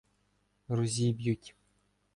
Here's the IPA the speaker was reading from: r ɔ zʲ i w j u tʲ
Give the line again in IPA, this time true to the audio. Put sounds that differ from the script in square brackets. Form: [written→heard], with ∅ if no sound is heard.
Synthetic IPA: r [ɔ→u] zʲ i [w→b] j u tʲ